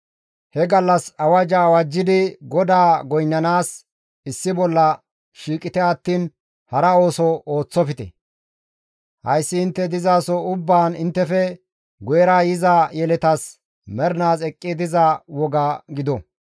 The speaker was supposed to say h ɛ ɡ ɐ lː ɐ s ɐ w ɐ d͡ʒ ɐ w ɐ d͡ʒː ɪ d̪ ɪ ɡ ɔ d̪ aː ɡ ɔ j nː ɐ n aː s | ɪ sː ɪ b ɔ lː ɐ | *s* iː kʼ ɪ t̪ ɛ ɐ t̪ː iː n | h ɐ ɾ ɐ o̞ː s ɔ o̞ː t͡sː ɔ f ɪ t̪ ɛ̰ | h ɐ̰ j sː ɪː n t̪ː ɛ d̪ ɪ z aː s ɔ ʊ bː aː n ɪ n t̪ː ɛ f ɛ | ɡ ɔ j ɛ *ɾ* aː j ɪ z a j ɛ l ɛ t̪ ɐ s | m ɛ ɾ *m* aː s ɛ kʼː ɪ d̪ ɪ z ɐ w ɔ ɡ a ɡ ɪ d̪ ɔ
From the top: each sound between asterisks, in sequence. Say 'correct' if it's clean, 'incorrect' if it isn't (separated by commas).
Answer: incorrect, correct, incorrect